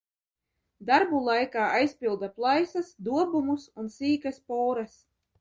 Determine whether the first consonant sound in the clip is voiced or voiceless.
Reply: voiced